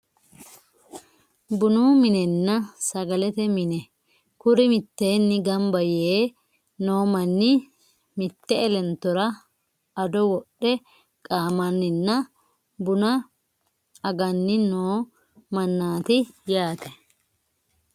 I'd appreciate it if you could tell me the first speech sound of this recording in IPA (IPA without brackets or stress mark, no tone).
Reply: b